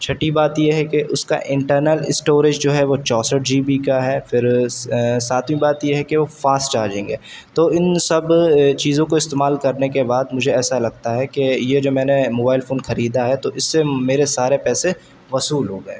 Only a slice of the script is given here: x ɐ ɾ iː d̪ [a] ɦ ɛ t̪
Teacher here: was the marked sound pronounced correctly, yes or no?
yes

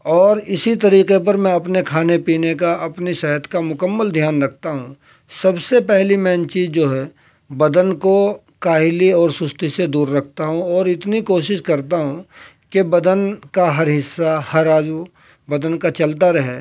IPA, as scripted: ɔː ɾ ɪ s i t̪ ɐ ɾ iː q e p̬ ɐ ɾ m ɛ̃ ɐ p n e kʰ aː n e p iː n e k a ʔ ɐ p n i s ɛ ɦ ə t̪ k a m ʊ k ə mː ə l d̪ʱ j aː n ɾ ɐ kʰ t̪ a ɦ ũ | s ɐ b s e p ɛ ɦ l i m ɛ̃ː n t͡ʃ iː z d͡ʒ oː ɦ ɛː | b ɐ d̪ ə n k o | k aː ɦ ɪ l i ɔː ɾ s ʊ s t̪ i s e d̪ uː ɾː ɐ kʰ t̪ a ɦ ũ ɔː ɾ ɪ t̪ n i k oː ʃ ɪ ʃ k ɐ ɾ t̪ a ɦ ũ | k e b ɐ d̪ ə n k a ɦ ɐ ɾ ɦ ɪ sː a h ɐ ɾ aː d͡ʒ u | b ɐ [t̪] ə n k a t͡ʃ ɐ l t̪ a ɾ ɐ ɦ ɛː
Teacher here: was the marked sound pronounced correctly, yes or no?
no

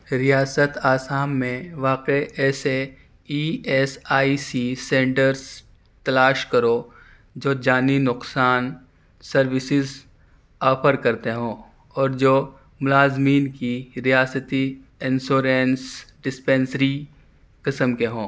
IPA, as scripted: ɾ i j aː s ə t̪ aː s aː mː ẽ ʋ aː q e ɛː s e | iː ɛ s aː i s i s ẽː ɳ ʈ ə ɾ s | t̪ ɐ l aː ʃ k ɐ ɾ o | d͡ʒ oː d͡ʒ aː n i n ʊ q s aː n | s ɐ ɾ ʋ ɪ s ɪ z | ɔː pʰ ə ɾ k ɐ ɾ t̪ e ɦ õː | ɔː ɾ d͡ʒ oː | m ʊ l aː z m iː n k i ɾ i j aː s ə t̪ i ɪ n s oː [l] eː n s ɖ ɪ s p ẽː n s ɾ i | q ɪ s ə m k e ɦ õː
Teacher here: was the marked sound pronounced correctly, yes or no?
no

